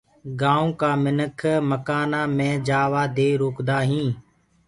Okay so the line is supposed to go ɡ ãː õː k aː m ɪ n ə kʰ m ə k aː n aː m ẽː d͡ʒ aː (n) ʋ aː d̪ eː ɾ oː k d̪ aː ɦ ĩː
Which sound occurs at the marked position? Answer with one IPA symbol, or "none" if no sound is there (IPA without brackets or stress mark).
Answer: none